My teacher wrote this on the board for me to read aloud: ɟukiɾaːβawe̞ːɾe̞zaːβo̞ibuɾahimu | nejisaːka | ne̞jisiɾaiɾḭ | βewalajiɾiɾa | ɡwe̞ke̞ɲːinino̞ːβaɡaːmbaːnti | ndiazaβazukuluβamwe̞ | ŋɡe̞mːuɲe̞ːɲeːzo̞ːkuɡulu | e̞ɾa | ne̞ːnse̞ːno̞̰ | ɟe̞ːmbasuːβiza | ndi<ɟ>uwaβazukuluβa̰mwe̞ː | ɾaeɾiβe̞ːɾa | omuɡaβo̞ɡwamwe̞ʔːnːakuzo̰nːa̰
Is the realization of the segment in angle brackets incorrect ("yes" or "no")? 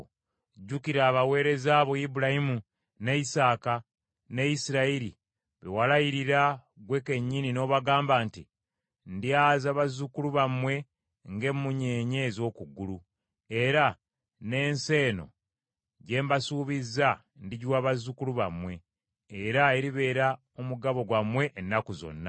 no